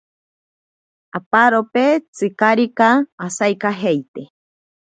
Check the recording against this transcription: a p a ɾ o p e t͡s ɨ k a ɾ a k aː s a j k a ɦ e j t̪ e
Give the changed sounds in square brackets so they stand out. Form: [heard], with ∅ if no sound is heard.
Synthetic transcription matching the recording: a p a ɾ o p e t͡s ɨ k a ɾ [i] k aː s a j k a ɦ e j t̪ e